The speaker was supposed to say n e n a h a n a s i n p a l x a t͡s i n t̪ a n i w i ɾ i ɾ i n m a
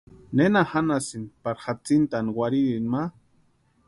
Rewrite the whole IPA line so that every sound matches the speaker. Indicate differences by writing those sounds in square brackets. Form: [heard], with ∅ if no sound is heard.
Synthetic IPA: n e n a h a n a s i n p a [ɾ] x a t͡s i n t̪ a n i w [a] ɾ i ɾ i n m a